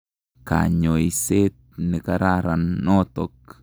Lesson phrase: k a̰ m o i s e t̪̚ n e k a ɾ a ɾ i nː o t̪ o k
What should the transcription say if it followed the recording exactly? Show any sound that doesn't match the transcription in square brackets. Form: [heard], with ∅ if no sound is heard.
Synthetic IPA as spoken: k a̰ [ɲ] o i s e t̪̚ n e k a ɾ a ɾ [a] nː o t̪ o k

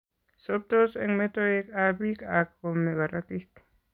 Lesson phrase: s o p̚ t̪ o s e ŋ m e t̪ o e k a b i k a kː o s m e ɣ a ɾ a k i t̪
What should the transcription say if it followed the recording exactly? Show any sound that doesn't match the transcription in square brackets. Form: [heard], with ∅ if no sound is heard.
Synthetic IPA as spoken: s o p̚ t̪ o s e ŋ m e t̪ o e k a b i k a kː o [∅] m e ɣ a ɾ a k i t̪

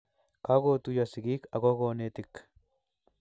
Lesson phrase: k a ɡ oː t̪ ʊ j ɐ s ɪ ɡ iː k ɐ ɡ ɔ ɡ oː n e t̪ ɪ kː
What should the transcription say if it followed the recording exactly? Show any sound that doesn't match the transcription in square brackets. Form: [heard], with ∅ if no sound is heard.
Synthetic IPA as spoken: k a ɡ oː t̪ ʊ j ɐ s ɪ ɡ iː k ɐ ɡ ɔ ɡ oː n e t̪ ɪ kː

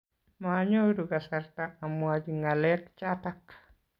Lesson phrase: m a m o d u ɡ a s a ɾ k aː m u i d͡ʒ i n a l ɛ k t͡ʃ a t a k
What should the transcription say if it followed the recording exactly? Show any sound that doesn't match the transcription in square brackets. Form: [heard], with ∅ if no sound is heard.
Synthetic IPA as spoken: m a [ɲ] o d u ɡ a s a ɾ [t] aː m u [a] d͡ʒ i [ŋ] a l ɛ k t͡ʃ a t a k

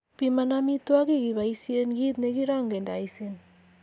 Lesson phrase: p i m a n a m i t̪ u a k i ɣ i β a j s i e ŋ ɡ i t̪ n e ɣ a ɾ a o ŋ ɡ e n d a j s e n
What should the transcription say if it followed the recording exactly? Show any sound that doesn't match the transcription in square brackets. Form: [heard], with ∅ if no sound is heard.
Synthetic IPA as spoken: p i m a n a m i t̪ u a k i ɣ i β a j s i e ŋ ɡ i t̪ n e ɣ [i] ɾ a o ŋ ɡ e n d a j s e n

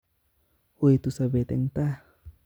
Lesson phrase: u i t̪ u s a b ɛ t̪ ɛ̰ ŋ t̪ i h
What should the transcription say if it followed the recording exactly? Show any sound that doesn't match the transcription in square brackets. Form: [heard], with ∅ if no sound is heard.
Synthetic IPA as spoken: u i t̪ u s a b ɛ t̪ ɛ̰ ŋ t̪ [a] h

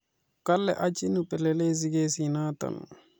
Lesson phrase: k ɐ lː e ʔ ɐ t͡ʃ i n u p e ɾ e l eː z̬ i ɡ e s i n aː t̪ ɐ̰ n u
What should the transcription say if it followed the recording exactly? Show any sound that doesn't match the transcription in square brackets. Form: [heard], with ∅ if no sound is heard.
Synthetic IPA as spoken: k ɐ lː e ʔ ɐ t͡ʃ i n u p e [l] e l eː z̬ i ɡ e s i n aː t̪ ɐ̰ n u

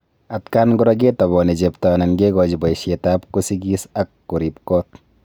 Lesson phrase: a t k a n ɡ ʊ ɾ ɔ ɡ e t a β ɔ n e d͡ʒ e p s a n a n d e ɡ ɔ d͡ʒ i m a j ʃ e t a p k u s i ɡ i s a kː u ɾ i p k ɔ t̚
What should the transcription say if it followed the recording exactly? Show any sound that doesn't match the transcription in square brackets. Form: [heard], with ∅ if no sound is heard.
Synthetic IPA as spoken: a t k a n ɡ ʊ ɾ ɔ ɡ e t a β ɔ n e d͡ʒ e p [t] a n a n [ɡ] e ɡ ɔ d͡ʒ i [b] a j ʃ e t a p k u s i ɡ i s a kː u ɾ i p k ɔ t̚

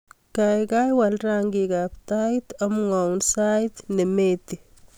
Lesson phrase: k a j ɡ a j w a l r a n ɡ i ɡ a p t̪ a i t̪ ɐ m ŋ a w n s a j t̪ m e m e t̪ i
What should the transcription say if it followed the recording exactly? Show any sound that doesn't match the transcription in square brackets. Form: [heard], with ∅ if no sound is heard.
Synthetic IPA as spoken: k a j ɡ a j w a l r a [ŋ] ɡ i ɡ a p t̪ a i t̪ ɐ m ŋ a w n s a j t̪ [n] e m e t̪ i

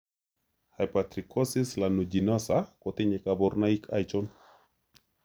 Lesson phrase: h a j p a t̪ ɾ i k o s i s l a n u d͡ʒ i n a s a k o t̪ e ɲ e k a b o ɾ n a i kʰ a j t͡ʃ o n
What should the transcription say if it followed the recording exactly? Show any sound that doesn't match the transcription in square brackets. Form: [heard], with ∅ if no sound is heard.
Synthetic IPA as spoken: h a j p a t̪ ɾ i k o s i s l a n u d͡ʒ i n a s a k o t̪ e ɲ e k a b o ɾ n a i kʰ a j t͡ʃ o n

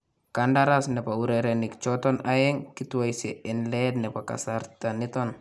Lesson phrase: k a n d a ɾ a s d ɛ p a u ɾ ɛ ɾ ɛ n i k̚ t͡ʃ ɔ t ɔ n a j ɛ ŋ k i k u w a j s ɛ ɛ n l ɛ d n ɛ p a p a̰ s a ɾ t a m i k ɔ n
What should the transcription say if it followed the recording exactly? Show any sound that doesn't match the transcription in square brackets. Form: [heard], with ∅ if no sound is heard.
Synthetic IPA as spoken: k a n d a ɾ a s [n] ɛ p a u ɾ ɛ ɾ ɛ n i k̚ t͡ʃ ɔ t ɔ n a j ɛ ŋ k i [t] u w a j s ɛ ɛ n l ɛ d n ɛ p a [k] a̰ s a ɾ t a [n] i [t] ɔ n

